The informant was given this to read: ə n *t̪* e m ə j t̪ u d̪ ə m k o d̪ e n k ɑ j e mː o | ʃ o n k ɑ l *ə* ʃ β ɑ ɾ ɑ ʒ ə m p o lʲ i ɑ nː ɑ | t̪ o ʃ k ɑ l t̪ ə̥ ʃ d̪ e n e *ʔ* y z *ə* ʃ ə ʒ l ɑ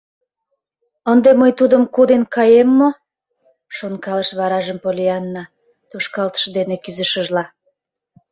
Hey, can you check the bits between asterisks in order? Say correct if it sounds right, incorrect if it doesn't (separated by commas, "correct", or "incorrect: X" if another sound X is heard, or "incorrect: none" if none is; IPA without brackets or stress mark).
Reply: incorrect: d̪, correct, incorrect: k, correct